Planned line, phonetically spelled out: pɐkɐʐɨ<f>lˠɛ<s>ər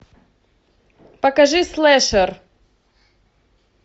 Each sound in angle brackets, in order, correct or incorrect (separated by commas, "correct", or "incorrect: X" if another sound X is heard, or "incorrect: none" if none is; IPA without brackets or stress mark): incorrect: s, incorrect: ʂ